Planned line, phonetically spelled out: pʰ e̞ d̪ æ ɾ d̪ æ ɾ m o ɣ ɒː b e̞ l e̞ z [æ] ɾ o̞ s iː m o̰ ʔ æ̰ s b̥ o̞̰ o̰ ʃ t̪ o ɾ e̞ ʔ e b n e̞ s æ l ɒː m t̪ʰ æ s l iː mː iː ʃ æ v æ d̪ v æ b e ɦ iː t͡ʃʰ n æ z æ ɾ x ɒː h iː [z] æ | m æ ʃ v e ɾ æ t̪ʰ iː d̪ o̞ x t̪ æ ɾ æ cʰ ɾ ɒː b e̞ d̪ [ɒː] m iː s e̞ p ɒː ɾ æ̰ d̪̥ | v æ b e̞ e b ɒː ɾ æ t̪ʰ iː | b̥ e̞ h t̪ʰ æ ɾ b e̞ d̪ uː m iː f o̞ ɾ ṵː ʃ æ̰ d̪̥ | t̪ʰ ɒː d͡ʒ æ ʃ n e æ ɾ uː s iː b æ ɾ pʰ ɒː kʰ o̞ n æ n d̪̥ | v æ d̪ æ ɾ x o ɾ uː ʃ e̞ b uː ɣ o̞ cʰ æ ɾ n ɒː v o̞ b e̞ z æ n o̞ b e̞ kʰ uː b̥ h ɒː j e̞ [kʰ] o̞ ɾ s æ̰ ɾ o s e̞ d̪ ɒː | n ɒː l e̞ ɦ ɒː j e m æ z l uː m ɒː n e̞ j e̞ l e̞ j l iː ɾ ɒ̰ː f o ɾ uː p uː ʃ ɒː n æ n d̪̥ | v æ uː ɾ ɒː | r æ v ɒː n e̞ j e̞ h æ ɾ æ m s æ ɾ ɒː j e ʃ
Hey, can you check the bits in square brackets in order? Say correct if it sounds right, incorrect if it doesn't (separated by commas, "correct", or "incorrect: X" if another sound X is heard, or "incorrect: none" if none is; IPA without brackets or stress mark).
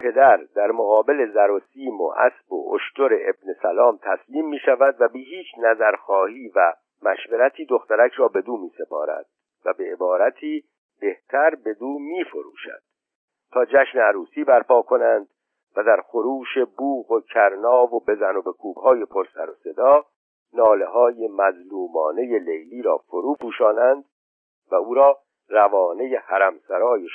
correct, incorrect: v, incorrect: uː, incorrect: pʰ